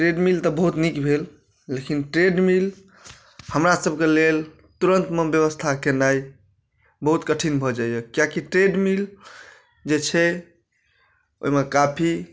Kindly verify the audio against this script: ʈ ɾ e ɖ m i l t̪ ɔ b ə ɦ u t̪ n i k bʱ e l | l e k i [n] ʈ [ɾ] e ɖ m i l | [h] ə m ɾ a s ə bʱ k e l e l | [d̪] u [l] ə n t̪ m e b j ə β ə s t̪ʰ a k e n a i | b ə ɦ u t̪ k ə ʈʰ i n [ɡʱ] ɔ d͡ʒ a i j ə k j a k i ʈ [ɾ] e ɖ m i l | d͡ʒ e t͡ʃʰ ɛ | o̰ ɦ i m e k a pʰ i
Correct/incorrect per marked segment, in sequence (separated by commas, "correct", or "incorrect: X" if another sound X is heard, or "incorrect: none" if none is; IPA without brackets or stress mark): correct, correct, correct, incorrect: t̪, incorrect: ɾ, incorrect: bʱ, correct